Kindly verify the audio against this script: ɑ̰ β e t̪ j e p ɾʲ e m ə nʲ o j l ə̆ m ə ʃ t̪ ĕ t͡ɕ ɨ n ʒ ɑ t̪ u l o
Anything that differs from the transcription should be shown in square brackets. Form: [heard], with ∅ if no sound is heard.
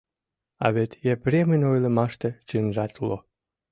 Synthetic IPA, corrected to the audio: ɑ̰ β e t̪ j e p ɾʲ e m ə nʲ o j l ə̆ m [ɑ] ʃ t̪ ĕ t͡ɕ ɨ n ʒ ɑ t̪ u l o